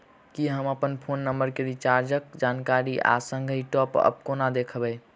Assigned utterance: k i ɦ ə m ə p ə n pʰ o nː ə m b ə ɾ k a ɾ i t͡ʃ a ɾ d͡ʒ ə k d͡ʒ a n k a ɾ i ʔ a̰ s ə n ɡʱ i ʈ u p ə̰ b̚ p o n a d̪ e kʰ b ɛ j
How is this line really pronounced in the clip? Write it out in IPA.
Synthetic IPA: k i ɦ ə m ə p ə n pʰ o nː ə m b ə ɾ k e ɾ i t͡ʃ a ɾ d͡ʒ ə k d͡ʒ a n k a ɾ i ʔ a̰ s ə ŋ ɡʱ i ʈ ɔ p ə̰ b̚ k o n a d̪ e kʰ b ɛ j